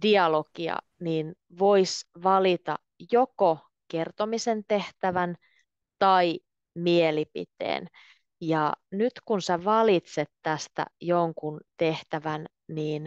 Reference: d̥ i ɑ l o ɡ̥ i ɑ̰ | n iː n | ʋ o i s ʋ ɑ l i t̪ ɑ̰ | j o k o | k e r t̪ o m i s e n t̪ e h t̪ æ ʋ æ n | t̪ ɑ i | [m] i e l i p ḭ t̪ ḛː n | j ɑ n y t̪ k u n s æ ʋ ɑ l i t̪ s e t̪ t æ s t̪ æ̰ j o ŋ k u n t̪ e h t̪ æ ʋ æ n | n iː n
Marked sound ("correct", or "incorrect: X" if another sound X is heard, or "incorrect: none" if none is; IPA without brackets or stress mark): correct